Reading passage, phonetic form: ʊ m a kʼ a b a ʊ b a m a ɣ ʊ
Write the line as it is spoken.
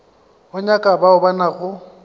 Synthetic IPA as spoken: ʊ ɲ a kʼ a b a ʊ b a n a ɣ ʊ

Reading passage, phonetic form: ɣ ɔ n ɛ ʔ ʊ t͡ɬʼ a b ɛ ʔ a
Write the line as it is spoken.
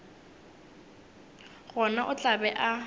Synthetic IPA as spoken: ɣ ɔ n a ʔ ʊ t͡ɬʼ a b ɛ ʔ a

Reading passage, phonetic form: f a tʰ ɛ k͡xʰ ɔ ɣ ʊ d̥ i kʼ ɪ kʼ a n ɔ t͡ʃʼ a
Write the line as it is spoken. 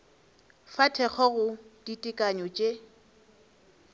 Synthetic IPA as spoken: f a tʰ ɛ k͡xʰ ɔ ɣ ʊ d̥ i tʼ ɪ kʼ a ɲ ɔ t͡ʃʼ e

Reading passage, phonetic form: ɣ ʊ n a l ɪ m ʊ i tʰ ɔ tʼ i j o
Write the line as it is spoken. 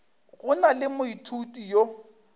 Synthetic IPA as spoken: ɣ ʊ n a l ɪ m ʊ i tʰ u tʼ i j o

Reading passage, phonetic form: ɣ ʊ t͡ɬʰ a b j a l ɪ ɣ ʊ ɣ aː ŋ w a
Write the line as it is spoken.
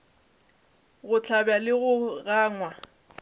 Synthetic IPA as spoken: ɣ ʊ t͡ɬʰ a b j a l ɪ ɣ ʊ ɣ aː ŋ w a

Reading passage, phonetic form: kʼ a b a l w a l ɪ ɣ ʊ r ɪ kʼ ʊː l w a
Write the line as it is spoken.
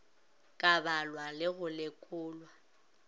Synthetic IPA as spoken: kʼ a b a l w a l ɪ ɣ ʊ l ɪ kʼ ʊː l w a

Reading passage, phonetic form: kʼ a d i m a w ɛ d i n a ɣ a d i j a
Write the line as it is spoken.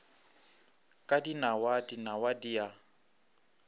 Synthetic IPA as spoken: kʼ a d i n a w a d i n a w a d i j a

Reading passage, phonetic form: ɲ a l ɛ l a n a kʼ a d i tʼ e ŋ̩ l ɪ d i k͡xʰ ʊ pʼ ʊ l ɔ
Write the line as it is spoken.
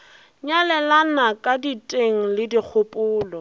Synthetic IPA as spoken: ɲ a l ɛ l a n a kʼ a d i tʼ e ŋ̩ l ɪ d i k͡xʰ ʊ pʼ ʊː l ɔ

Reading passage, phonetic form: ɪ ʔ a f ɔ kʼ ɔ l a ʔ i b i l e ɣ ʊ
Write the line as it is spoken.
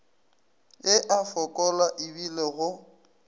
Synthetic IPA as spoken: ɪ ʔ a f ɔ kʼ ɔ l a ʔ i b i l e ɣ ʊ

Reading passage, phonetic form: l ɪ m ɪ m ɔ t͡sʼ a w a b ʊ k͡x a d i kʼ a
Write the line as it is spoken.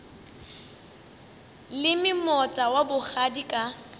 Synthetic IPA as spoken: l ɪ m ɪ m ɔ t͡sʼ a w a b ʊ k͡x a d i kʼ a

